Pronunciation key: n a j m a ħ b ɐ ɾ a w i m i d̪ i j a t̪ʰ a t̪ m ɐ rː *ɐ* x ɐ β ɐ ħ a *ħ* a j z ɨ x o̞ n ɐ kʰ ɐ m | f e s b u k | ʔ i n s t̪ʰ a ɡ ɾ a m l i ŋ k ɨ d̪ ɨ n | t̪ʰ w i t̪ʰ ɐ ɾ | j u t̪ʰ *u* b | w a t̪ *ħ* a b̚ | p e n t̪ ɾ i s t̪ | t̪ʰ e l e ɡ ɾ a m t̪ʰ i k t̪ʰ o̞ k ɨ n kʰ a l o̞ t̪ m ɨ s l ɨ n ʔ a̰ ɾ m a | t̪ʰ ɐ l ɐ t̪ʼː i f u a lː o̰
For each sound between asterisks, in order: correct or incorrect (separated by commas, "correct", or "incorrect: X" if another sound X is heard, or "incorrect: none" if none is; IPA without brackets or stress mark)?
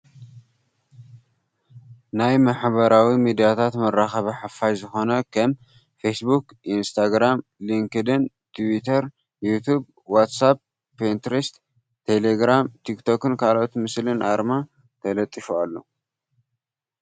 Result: incorrect: a, incorrect: f, correct, incorrect: s